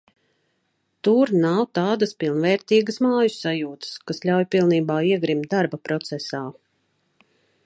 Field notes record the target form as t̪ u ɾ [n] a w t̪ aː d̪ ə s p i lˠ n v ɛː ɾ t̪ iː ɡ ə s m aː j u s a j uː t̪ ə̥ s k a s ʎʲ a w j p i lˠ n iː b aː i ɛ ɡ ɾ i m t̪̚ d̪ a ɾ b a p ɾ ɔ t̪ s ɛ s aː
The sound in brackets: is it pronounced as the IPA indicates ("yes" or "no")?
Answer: yes